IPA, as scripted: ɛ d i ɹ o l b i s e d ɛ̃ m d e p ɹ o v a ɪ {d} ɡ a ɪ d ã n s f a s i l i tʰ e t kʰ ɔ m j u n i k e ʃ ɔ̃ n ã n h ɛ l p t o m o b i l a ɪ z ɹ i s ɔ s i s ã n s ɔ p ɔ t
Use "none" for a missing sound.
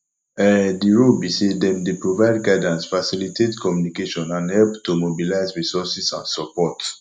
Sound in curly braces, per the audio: d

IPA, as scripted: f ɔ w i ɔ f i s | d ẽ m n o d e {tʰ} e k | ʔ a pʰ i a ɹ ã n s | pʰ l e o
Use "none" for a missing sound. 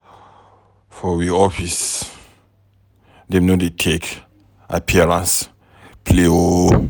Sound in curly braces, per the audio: tʰ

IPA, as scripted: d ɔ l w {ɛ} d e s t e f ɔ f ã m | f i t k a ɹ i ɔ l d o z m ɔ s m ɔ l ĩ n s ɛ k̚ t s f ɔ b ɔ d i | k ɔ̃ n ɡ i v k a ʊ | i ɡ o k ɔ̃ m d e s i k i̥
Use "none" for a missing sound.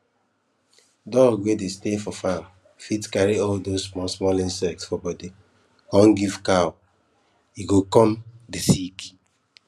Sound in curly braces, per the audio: e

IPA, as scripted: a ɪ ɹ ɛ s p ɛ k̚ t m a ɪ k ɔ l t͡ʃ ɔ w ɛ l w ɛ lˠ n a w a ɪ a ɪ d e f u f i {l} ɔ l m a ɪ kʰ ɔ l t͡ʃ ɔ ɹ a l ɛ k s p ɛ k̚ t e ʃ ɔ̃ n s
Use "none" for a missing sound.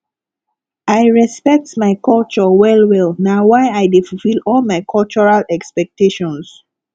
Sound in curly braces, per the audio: l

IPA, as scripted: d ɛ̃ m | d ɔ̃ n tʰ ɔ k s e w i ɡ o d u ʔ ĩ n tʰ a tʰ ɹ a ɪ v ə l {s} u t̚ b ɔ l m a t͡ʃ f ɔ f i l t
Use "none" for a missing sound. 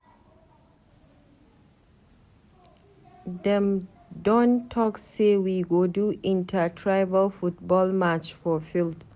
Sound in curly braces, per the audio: f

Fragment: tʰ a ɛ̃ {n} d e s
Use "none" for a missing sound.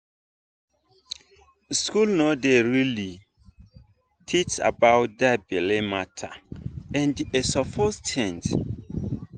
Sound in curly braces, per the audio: n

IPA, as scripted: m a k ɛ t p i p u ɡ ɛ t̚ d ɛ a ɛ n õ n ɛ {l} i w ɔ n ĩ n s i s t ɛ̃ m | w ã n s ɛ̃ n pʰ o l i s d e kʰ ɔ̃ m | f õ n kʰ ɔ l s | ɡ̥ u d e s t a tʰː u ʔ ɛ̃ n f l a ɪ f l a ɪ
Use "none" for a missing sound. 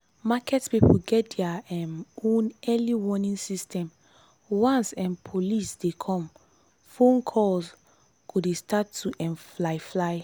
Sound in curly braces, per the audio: l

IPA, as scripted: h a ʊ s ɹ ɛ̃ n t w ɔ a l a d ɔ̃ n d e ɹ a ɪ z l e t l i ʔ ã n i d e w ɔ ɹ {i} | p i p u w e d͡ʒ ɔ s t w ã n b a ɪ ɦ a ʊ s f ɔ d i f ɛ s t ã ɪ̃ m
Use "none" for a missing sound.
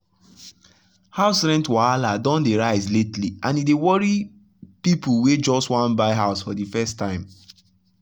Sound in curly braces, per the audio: i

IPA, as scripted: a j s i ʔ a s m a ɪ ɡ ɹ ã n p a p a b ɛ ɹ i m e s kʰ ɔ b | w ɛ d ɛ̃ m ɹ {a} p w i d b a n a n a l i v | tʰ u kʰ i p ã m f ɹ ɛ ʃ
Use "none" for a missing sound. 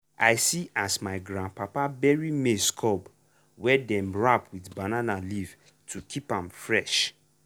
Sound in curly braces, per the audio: a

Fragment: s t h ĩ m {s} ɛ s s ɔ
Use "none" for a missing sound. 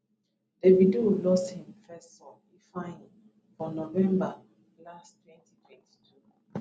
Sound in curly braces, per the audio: f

